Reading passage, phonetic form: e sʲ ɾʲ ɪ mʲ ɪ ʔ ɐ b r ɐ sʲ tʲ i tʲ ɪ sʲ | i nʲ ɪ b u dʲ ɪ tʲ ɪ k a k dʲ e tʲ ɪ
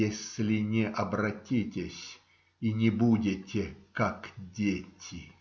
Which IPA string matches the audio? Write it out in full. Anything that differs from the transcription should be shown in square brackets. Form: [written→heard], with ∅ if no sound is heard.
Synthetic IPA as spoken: e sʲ [ɾʲ→lʲ] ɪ [mʲ→nʲ] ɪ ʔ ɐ b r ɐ [sʲ→∅] tʲ i tʲ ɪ sʲ | i nʲ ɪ b u dʲ ɪ tʲ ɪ k a k dʲ e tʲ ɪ